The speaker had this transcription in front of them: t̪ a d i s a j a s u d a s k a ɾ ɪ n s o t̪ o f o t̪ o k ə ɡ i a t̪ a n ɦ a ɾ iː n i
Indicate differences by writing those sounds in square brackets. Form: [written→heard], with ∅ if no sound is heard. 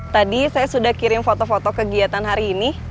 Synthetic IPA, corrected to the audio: t̪ a d i s a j a s u d a [s→h] k [a→i] ɾ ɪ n [s→f] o t̪ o f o t̪ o k ə ɡ i a t̪ a n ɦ a ɾ iː n i